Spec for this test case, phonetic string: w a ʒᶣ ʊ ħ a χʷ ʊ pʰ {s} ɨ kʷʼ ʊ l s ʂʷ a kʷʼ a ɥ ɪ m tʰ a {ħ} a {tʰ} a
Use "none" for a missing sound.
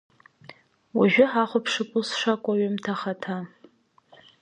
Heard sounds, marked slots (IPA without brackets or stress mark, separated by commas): ʂ, χ, tʰ